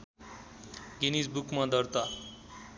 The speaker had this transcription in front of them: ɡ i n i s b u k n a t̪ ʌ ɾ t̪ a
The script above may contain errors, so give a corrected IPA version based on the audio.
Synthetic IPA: ɡ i n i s b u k m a d̪ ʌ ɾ t̪ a